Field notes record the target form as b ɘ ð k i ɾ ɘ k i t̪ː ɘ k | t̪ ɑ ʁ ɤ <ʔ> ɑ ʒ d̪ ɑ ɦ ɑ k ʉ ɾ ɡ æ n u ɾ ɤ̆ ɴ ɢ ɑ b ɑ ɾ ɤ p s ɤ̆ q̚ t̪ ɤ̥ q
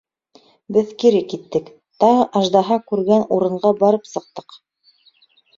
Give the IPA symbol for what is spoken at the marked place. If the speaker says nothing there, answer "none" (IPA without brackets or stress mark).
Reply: ʔ